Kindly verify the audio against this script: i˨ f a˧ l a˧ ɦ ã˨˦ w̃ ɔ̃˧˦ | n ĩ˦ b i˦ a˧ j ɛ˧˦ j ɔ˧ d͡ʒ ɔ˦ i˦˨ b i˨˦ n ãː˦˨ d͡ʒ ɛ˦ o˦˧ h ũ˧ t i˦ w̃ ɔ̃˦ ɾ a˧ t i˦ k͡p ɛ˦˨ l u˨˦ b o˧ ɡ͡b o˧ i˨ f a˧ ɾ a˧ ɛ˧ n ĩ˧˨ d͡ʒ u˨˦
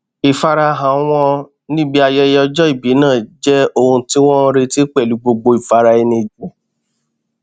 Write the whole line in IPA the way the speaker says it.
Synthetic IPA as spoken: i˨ f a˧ ɾ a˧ ɦ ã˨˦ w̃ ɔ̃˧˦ | n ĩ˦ b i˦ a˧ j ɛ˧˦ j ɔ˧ d͡ʒ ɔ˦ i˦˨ b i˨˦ n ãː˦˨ d͡ʒ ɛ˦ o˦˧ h ũ˧ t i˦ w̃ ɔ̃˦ ɾ e˧ t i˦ k͡p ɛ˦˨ l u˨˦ ɡ͡b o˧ ɡ͡b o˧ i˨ f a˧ ɾ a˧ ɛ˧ n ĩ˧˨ d͡ʒ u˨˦